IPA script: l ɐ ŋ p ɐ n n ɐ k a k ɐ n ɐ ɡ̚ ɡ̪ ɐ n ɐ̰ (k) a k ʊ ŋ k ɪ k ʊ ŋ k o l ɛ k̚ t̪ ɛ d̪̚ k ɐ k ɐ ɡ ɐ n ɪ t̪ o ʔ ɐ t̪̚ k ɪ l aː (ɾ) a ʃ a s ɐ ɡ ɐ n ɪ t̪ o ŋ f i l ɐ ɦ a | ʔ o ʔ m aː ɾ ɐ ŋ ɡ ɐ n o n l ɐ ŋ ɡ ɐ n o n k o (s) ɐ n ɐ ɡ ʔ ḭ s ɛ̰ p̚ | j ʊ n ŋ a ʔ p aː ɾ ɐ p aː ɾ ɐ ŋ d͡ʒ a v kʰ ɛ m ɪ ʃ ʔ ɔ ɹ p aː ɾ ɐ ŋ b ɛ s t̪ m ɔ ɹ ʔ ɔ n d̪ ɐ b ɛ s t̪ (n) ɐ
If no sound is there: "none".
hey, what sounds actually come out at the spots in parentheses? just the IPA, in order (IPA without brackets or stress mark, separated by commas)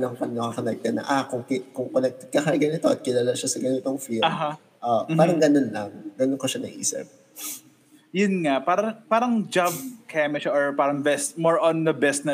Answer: ʔ, l, ʃ, n